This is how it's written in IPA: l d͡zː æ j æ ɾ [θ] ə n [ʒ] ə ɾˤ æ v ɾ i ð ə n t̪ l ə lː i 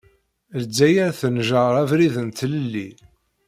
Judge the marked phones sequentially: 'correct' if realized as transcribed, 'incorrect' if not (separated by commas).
correct, correct